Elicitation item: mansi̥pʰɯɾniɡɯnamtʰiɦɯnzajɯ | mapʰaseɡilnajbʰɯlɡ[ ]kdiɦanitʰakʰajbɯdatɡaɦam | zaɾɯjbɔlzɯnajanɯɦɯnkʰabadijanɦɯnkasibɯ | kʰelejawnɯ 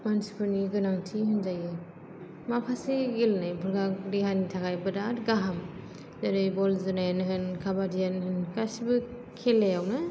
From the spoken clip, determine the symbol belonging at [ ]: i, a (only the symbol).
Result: a